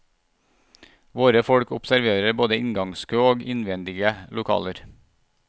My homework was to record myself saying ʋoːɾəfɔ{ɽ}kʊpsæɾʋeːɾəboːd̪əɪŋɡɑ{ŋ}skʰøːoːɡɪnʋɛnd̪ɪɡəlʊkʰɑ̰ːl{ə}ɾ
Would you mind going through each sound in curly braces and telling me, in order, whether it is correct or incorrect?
correct, correct, correct

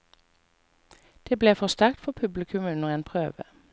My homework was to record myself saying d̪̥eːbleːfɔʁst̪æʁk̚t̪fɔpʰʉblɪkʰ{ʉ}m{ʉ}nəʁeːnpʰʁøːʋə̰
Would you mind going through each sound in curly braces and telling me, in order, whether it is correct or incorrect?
correct, correct

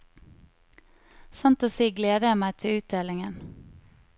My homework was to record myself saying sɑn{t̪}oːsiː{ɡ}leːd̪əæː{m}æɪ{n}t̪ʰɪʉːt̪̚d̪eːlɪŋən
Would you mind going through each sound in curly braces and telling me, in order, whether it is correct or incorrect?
correct, correct, correct, incorrect: none

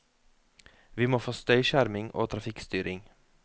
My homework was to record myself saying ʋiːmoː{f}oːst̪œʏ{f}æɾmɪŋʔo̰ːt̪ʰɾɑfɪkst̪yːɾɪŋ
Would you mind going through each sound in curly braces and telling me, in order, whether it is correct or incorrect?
correct, incorrect: ʃ

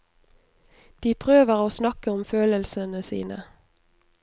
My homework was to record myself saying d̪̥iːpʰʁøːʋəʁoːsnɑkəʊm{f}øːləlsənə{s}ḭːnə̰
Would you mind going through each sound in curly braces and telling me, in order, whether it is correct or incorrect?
correct, correct

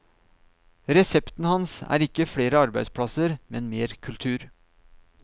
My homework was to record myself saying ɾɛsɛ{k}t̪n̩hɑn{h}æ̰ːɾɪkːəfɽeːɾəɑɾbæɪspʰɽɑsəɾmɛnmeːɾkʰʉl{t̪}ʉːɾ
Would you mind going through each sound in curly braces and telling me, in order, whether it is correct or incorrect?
incorrect: p, incorrect: s, incorrect: t̪ʰ

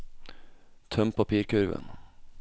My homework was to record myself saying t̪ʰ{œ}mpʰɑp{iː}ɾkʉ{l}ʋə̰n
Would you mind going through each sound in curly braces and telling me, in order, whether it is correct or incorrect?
correct, correct, incorrect: ɾ

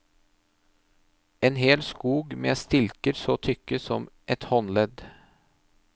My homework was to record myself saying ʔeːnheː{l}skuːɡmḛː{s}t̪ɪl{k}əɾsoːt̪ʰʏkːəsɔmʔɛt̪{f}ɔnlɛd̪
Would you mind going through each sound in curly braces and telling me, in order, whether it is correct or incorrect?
correct, correct, correct, incorrect: h

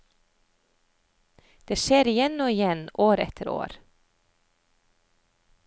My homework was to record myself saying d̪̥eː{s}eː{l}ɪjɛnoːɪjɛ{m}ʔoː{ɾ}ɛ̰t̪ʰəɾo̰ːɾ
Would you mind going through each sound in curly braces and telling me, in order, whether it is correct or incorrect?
incorrect: ʃ, incorrect: ɾ, incorrect: n, correct

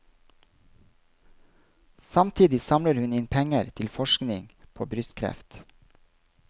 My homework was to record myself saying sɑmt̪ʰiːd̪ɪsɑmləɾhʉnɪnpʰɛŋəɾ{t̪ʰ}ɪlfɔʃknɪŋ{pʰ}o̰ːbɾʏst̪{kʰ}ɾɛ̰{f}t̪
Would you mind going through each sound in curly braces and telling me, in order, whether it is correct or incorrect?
correct, correct, correct, correct

